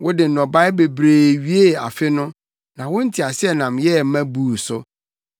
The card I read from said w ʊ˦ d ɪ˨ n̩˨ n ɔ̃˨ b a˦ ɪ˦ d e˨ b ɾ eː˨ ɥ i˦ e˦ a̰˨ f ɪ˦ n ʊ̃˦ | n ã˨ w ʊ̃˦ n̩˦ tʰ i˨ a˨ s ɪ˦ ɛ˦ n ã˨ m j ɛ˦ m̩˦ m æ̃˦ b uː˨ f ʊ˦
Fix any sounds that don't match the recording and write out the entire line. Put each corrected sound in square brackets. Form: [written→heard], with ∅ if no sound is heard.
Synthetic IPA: w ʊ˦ d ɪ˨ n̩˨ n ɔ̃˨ b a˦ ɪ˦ [d→b] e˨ b ɾ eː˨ ɥ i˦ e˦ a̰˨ f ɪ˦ n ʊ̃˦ | n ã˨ w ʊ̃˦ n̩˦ tʰ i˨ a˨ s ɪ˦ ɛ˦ n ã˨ m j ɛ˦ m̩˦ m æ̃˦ b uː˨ [f→s] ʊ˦

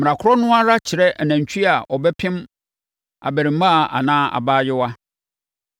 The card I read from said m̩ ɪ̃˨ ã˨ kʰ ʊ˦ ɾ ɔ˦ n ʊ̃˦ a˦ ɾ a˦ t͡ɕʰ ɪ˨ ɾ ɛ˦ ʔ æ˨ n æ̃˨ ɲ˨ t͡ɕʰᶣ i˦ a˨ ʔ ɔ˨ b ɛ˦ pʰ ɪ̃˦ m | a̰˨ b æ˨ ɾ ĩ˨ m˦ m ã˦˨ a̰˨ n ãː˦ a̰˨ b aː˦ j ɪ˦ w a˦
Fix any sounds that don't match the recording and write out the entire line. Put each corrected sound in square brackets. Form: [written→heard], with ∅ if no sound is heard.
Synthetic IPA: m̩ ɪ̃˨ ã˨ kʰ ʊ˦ ɾ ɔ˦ n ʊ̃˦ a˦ ɾ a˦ t͡ɕʰ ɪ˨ ɾ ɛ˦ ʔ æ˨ n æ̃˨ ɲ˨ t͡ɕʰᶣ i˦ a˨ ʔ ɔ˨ b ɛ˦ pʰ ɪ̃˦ m | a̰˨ b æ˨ ɾ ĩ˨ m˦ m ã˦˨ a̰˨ n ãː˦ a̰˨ b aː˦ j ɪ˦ w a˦

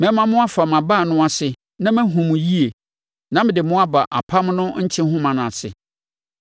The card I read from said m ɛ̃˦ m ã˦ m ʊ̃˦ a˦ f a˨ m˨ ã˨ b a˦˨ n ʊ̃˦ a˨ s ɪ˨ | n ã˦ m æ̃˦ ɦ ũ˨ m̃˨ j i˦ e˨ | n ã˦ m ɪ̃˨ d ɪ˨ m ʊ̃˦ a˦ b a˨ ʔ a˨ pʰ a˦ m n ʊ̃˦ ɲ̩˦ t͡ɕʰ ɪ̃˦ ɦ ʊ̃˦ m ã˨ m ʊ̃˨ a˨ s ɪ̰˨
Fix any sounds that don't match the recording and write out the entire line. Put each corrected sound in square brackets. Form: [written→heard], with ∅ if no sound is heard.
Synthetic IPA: m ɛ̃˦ m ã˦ m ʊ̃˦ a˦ f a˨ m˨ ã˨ b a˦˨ n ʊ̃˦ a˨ s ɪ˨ | n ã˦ m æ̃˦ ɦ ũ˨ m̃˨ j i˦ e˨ | n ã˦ m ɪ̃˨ d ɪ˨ m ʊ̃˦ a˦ b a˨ ʔ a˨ pʰ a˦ m n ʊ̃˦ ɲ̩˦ t͡ɕʰ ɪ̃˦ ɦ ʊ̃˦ m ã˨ [m→n] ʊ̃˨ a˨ s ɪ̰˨

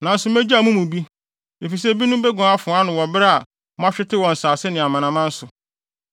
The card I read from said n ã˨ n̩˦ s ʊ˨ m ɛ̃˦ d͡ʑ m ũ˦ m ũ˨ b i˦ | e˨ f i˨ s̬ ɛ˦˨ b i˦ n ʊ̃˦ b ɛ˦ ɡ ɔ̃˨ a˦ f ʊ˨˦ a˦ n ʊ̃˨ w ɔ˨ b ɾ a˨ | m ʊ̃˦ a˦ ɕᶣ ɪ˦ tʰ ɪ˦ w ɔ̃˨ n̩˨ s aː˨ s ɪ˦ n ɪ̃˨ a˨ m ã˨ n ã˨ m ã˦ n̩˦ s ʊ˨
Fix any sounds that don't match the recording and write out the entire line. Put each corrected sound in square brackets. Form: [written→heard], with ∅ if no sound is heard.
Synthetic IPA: n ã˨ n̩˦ s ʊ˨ m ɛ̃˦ d͡ʑ m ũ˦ m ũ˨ b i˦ | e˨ f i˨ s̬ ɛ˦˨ b i˦ n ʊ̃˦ b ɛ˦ ɡ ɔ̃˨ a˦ f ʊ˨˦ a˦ n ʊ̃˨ w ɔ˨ b ɾ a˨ | m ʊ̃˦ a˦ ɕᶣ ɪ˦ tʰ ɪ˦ w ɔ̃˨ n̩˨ s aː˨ s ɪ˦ n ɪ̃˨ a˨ m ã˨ n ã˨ m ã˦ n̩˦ s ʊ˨

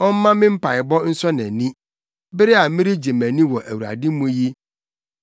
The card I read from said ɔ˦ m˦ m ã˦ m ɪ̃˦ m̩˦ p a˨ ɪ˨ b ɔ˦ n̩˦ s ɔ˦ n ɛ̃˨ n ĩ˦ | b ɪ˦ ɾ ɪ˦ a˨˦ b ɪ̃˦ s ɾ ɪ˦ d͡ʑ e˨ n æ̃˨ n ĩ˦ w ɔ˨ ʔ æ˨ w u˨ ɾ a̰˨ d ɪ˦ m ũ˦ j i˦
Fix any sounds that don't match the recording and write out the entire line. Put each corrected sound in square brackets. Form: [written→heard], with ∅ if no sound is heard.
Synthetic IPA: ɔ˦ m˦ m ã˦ m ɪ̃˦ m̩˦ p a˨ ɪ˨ b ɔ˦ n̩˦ s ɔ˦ n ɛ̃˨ n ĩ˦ | b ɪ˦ ɾ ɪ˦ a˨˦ [b→m] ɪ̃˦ [s→∅] ɾ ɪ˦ d͡ʑ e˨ [n→m] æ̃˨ n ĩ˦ w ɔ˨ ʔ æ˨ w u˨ ɾ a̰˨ d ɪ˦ m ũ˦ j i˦

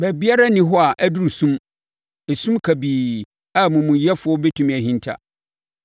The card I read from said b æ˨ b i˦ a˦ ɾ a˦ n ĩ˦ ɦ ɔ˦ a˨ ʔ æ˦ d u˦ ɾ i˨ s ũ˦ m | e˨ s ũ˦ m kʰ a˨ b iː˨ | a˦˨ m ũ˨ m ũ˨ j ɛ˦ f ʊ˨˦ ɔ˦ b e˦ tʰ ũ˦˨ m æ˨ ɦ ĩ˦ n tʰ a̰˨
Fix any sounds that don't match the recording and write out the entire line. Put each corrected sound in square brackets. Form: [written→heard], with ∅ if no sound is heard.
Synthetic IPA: b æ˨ b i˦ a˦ ɾ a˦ n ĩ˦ ɦ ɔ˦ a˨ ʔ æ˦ d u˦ ɾ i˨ s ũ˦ m | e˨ s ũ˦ m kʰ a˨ b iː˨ | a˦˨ m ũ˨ m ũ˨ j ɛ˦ f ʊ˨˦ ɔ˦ b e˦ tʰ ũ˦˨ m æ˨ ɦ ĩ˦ n tʰ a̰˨

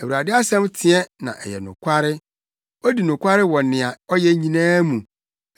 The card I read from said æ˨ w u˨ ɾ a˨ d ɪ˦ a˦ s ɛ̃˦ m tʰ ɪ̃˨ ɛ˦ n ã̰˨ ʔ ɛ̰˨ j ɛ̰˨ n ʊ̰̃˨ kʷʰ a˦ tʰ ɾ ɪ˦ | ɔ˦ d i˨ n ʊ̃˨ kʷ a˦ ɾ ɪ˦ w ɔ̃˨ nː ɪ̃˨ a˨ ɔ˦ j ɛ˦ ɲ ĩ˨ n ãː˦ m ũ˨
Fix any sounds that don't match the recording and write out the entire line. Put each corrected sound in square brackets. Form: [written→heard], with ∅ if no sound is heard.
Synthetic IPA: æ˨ w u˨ ɾ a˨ d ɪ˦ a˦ s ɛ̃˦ m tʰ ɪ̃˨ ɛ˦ n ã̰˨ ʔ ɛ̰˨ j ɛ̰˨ n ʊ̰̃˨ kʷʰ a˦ [tʰ→∅] ɾ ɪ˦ | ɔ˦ d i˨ n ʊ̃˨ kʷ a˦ ɾ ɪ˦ w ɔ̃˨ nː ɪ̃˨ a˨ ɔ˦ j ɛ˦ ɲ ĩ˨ n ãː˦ m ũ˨

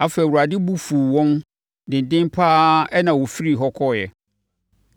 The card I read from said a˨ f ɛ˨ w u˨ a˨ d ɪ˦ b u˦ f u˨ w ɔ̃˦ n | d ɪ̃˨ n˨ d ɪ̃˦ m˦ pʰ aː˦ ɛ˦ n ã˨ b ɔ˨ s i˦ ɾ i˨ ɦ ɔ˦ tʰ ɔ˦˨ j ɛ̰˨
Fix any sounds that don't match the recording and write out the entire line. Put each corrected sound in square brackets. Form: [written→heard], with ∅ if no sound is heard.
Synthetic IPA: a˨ f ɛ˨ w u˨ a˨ d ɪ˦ b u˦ f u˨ w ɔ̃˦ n | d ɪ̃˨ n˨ d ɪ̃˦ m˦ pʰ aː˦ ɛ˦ n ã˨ [b→w] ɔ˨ [s→f] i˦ ɾ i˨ ɦ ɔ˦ [tʰ→kʰ] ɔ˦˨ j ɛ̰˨

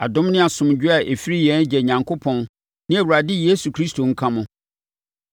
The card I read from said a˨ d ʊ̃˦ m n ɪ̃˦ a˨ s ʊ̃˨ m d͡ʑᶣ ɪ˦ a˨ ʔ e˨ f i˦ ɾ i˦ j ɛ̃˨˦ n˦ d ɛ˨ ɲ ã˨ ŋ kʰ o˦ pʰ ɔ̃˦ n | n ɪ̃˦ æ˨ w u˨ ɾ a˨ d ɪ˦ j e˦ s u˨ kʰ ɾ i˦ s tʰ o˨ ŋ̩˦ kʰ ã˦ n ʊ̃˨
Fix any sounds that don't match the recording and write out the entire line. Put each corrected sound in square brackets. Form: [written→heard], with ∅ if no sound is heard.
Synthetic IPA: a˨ d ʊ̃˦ m n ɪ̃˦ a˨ s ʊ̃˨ m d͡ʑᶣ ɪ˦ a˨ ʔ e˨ f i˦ ɾ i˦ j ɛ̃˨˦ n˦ [d→d͡ʑ] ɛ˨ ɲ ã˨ ŋ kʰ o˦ pʰ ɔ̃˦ n | n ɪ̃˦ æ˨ w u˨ ɾ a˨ d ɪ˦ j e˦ s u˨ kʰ ɾ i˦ s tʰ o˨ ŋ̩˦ kʰ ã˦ [n→m] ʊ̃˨

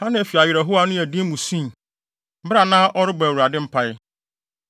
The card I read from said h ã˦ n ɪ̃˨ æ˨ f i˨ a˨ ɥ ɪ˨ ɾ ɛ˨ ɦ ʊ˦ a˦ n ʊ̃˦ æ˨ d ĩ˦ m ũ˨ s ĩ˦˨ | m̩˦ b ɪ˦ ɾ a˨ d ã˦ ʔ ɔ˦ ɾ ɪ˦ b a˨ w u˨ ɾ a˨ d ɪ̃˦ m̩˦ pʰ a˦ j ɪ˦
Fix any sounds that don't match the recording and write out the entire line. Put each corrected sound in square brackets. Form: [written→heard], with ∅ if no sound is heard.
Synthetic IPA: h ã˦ n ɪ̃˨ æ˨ f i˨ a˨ ɥ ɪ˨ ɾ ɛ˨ ɦ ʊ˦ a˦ n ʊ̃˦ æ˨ d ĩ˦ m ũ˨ s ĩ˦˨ | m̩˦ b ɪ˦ ɾ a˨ [d→n] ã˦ ʔ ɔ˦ ɾ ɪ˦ b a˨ w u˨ ɾ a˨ d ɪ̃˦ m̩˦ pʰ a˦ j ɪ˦

